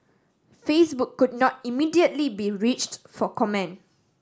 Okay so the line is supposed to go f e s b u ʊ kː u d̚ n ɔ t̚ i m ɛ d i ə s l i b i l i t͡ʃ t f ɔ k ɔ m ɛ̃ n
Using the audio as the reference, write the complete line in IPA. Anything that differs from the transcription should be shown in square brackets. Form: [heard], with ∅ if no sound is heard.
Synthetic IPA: f e s b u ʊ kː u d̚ n ɔ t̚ i m [i] d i ə [t] l i b i [ɹ] i t͡ʃ t f ɔ k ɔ m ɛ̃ n